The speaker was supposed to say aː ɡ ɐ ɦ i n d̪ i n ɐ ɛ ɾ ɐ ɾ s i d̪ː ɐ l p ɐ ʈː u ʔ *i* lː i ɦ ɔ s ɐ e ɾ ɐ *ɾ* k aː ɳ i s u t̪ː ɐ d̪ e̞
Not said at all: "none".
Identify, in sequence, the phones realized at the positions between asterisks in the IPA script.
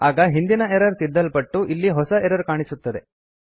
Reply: i, ɾ

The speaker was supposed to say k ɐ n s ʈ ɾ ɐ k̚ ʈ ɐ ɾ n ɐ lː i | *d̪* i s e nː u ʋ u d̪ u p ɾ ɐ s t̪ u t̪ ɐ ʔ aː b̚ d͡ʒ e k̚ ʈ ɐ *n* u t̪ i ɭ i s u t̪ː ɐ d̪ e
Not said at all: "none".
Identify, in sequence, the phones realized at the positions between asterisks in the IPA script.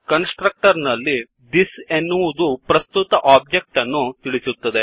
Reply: d̪, nː

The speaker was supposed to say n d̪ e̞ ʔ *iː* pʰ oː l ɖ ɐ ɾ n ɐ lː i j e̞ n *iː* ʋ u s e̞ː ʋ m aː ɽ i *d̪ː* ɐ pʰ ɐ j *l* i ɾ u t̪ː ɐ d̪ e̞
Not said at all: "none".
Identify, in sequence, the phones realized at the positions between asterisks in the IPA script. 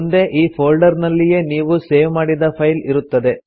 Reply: iː, iː, d̪, l

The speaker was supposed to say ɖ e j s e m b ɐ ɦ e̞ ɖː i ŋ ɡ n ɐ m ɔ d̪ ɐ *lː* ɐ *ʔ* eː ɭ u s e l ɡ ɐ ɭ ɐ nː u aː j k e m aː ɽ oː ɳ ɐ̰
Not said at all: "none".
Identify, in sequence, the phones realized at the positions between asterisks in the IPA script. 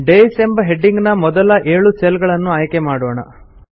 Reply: l, ʔ

